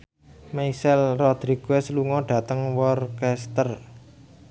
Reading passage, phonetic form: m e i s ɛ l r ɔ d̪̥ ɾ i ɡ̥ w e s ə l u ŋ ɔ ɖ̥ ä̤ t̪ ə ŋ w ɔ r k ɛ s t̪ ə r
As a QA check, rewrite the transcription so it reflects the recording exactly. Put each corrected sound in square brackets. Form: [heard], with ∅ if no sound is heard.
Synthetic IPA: m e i s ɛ l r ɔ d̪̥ ɾ i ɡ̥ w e s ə l u ŋ ɔ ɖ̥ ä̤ t̪ ə ŋ w ɔ r k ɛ s t̪ ə r